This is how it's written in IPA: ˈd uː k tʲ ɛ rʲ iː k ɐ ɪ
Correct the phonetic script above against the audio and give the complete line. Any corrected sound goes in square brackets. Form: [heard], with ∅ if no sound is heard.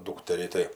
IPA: ˈd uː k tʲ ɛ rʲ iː [t] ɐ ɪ